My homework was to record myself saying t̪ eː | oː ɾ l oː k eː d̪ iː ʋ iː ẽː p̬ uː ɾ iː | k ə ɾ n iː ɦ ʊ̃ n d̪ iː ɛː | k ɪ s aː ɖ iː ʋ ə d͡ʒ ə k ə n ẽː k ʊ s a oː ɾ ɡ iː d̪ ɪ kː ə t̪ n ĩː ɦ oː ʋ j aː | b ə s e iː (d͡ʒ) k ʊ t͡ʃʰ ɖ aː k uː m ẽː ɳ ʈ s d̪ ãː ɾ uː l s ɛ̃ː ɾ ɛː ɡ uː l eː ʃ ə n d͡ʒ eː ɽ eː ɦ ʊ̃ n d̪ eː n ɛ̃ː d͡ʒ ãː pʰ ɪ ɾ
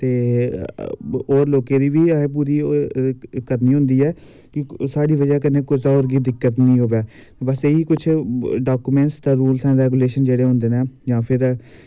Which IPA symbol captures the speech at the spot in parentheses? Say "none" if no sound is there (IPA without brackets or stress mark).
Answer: none